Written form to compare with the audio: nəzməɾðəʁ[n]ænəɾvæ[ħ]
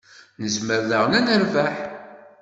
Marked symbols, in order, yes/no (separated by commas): yes, yes